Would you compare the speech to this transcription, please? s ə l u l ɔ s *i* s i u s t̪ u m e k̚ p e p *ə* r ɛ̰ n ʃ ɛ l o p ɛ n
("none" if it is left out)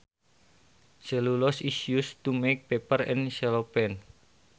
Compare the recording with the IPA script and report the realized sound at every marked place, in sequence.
i, ə

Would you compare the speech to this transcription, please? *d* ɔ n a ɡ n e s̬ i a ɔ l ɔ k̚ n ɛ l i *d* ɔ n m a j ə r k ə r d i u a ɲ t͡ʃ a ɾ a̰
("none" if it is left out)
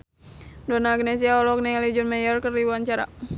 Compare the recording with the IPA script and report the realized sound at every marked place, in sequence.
d, d͡ʒ

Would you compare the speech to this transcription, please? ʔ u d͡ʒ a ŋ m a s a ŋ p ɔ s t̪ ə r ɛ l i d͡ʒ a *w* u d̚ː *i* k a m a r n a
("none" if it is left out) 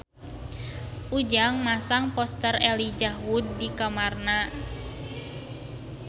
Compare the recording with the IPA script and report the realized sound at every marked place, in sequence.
w, i

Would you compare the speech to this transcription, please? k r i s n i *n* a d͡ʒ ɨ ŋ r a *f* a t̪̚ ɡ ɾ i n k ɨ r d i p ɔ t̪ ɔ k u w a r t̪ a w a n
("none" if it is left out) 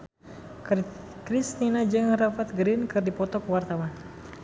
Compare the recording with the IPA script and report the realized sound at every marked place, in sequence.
n, f

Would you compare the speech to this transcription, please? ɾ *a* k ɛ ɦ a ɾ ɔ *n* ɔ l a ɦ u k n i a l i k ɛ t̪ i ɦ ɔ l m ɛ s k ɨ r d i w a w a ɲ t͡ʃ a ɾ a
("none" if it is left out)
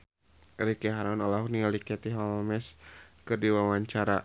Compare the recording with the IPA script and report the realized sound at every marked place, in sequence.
i, n

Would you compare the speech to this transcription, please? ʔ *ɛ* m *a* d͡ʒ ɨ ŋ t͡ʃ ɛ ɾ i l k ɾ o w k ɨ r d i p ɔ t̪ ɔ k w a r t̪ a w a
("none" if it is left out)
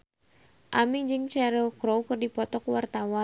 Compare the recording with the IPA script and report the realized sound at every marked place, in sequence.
a, i

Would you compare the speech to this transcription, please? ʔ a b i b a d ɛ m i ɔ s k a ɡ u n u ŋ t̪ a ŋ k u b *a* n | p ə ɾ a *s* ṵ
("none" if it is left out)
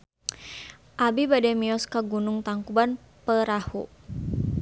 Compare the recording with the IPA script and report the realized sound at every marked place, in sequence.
a, h

